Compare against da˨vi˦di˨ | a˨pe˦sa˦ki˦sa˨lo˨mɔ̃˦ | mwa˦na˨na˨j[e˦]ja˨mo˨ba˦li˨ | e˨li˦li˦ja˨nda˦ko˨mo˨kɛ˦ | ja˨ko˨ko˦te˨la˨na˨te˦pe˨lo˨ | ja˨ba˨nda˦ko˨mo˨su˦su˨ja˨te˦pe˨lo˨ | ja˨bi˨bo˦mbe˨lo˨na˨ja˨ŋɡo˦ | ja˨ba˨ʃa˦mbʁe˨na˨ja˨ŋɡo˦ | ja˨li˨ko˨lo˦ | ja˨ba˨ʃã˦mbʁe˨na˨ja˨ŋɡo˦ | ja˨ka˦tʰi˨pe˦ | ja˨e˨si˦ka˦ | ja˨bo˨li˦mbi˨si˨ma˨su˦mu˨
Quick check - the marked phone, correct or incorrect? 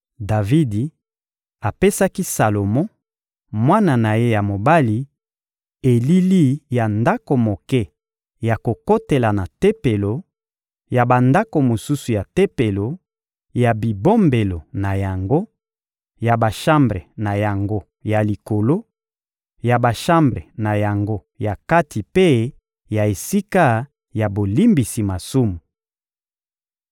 correct